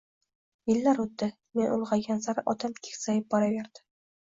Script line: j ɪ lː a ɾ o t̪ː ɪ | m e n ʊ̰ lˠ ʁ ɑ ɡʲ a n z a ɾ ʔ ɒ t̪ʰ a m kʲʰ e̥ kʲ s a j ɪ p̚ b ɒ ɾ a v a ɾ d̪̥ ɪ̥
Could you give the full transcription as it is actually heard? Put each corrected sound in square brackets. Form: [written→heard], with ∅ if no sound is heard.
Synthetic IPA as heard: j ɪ lː a ɾ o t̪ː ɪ | m e n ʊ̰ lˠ ʁ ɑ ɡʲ a n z a ɾ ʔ ɒ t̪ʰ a m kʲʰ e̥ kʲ s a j ɪ p̚ b ɒ ɾ a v [a→e] ɾ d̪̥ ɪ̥

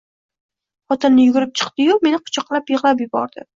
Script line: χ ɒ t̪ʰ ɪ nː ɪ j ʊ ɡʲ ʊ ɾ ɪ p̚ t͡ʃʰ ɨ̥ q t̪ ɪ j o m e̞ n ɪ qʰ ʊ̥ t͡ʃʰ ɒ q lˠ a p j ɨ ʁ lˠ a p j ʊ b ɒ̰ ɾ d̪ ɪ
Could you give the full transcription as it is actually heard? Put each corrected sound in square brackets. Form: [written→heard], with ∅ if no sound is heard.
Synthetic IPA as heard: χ ɒ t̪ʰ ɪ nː ɪ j ʊ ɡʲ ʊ ɾ ɪ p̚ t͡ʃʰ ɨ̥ q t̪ ɪ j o m e̞ n ɪ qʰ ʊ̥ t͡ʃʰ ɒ q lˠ a p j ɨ ʁ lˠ a p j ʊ b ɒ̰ ɾ d̪ ɪ

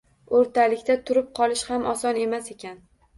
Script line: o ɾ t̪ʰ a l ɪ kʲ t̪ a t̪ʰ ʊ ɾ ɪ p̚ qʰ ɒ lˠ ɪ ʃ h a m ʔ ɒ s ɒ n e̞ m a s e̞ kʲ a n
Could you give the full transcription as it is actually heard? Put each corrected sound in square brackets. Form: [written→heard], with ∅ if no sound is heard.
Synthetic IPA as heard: o ɾ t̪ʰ a l ɪ kʲ t̪ a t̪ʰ ʊ ɾ ɪ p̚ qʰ ɒ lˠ ɪ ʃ h a m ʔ ɒ s ɒ n e̞ m a s e̞ kʲ a n

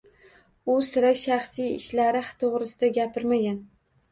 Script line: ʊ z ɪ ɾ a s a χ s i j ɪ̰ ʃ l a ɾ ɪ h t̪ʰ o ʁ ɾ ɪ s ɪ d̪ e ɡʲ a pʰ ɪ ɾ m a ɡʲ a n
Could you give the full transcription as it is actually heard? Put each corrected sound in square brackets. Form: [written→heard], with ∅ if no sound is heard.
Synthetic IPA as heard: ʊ [z→s] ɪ ɾ a [s→ʃ] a χ s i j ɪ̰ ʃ l a ɾ ɪ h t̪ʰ o ʁ ɾ ɪ s ɪ d̪ [e→a] ɡʲ a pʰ ɪ ɾ m a ɡʲ a n

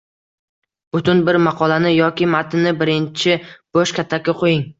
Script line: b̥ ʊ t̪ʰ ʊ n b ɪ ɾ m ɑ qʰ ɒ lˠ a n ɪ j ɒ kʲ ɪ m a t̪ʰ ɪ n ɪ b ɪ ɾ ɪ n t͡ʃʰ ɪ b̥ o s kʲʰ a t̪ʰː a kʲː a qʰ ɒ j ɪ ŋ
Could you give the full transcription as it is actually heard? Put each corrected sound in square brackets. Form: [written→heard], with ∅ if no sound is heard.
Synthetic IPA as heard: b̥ ʊ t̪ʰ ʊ n b ɪ ɾ m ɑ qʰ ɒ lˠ a n ɪ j ɒ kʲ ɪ m a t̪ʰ ɪ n ɪ b ɪ ɾ ɪ n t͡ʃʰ ɪ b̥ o [s→ʃ] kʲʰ a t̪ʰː a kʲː a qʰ [ɒ→o] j ɪ ŋ

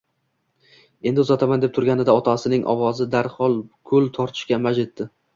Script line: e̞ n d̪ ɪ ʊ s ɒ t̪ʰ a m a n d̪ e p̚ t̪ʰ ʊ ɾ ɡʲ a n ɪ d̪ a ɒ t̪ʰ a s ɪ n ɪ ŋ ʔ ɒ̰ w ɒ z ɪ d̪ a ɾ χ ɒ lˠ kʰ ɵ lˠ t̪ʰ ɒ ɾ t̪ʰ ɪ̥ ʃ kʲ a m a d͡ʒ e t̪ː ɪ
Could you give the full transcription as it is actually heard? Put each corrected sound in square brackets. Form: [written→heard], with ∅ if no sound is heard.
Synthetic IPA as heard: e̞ n d̪ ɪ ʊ [s→z] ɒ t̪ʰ a m a n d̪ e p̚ t̪ʰ ʊ ɾ ɡʲ a n ɪ d̪ a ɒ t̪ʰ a s ɪ n ɪ ŋ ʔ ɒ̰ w ɒ z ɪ d̪ a ɾ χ ɒ lˠ kʰ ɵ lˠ t̪ʰ ɒ ɾ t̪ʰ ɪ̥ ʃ kʲ a m a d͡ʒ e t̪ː ɪ

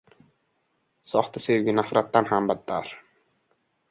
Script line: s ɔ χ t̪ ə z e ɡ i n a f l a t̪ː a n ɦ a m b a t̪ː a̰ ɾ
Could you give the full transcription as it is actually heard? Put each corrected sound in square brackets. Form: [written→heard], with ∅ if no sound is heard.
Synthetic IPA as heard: s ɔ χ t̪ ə [z→s] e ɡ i n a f [l→ɾ] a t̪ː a n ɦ a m b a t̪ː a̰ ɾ

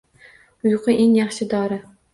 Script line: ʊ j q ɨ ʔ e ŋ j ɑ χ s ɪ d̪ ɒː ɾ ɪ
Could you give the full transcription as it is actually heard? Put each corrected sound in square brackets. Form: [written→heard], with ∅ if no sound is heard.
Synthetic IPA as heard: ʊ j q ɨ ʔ e ŋ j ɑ χ [s→ʃ] ɪ d̪ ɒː ɾ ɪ

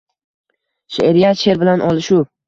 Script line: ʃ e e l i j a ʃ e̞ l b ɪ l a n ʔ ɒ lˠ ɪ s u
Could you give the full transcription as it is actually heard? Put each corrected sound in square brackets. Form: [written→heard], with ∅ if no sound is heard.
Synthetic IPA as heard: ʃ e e [l→ɾ] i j a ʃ e̞ [l→ɾ] b ɪ l a n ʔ ɒ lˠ ɪ [s→ʃ] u

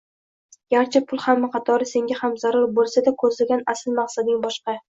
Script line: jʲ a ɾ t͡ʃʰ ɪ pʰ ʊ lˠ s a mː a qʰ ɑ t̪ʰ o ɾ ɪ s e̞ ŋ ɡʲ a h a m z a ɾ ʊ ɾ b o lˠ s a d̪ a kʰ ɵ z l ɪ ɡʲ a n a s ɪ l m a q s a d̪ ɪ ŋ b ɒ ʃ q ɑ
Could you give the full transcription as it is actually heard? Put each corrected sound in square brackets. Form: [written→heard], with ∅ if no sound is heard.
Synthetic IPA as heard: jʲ a ɾ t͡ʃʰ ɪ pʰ ʊ lˠ [s→h] a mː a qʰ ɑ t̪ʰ [o→ɒ] ɾ ɪ s e̞ ŋ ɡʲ a h a m z a ɾ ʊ ɾ b o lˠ s a d̪ a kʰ ɵ z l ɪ ɡʲ a n a s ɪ l m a q s a d̪ ɪ ŋ b ɒ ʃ q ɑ

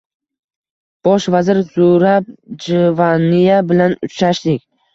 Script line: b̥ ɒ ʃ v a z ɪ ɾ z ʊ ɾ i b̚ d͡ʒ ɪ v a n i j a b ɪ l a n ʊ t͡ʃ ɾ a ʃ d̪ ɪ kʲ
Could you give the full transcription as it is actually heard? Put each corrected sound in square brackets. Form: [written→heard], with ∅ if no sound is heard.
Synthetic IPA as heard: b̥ ɒ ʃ v a z ɪ ɾ z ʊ ɾ [i→a] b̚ d͡ʒ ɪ v a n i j a b ɪ l a n ʊ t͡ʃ ɾ a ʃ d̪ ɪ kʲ

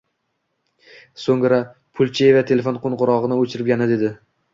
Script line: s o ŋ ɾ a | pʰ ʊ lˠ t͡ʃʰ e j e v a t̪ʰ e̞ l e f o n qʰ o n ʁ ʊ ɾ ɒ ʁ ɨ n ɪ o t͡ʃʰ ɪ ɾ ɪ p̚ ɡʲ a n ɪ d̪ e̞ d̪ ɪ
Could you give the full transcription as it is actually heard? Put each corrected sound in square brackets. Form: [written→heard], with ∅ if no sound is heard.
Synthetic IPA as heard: s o ŋ ɾ a | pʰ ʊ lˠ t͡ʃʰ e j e v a t̪ʰ e̞ l e f o n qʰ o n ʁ ʊ ɾ ɒ ʁ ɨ n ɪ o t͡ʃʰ ɪ ɾ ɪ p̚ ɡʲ a n ɪ d̪ e̞ d̪ ɪ

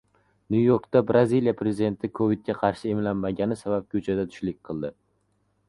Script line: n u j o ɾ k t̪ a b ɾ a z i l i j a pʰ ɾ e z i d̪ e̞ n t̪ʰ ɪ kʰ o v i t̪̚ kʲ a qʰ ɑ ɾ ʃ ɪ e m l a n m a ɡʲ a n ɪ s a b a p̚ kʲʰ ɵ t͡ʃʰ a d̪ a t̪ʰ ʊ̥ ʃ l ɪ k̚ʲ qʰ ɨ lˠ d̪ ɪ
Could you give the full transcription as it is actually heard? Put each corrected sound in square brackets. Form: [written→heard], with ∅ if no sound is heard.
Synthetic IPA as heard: n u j o ɾ k t̪ a b ɾ a z i l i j a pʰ ɾ e z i d̪ e̞ n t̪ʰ ɪ kʰ o v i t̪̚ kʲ a qʰ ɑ ɾ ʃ ɪ e m l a n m a ɡʲ a n ɪ s a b a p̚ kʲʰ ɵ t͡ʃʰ a d̪ a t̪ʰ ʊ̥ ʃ l ɪ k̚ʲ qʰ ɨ lˠ d̪ ɪ

